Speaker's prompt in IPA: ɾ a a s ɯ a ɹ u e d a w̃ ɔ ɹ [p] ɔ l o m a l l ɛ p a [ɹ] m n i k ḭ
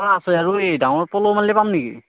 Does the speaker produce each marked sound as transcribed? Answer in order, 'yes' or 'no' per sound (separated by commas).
yes, no